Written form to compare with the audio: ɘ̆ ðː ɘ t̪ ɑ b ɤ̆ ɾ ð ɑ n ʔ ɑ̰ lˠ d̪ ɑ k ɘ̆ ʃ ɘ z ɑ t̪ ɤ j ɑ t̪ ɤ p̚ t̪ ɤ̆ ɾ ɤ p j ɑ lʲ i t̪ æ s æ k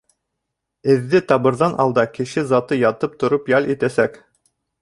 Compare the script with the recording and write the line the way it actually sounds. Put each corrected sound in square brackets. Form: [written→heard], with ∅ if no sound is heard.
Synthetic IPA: ɘ̆ ðː ɘ t̪ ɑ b ɤ̆ ɾ ð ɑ n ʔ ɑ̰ lˠ d̪ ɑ k ɘ̆ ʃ ɘ z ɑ t̪ ɤ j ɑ t̪ ɤ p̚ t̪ [ɤ̆→ŏ] ɾ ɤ p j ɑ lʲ i t̪ æ s æ k

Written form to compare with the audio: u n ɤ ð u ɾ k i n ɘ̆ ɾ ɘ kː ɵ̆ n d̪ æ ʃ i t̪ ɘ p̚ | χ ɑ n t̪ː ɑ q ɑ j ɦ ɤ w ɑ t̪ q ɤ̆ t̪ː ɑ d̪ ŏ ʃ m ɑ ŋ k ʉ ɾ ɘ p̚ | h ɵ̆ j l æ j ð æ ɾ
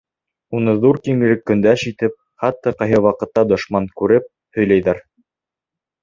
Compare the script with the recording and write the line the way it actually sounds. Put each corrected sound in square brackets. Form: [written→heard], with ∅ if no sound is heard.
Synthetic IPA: u n ɤ ð u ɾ k i [n→ŋ] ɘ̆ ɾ ɘ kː ɵ̆ n d̪ æ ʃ i t̪ ɘ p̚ | χ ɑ [n→∅] t̪ː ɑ q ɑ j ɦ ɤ w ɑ [t̪→∅] q ɤ̆ t̪ː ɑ d̪ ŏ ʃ m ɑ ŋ k ʉ ɾ ɘ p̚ | h ɵ̆ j l æ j ð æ ɾ

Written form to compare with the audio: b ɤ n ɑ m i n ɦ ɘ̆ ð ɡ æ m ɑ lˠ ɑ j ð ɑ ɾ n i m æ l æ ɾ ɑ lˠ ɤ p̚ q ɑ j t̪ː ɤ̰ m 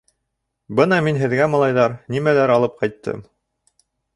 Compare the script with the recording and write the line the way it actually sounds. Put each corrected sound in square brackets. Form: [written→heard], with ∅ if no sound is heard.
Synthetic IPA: b ɤ n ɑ m i n ɦ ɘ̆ ð ɡ æ m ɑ lˠ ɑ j ð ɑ ɾ n i m æ l æ ɾ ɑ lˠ ɤ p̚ q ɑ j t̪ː ɤ̰ m

